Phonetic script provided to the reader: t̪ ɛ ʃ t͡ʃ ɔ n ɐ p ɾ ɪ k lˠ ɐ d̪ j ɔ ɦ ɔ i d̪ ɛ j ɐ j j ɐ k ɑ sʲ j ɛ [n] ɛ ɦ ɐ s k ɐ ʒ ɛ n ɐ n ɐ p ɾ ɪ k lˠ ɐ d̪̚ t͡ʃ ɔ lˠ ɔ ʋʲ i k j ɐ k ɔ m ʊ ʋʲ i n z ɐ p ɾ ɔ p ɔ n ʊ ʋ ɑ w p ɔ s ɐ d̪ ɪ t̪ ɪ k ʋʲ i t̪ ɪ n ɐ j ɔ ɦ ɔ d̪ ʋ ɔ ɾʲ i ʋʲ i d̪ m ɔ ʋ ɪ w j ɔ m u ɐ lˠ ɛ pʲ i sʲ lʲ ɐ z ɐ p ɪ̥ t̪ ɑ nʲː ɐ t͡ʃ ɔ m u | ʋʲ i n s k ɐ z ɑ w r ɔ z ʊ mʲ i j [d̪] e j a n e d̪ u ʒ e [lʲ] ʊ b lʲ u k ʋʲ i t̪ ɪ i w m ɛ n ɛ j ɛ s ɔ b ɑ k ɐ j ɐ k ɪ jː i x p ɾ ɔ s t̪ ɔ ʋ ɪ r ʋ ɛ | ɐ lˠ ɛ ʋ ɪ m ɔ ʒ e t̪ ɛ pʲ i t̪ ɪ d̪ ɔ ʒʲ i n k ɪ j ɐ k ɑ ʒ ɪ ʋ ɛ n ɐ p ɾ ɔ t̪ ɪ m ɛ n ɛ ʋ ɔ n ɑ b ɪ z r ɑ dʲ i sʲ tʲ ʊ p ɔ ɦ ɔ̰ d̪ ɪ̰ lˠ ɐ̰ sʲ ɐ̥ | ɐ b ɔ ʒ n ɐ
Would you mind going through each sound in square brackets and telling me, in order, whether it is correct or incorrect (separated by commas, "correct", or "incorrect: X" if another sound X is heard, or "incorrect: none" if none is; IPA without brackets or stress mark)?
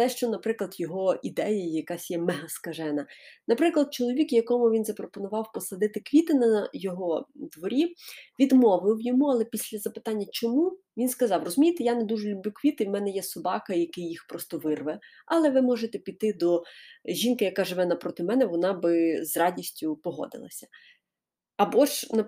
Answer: incorrect: m, incorrect: t̪, correct